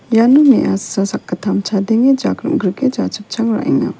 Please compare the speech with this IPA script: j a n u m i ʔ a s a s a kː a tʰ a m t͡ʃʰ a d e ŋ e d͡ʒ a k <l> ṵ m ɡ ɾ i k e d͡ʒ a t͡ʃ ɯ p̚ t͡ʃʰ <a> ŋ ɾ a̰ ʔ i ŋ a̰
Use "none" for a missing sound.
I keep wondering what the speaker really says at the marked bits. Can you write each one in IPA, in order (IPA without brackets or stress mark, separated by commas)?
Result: ɾ, a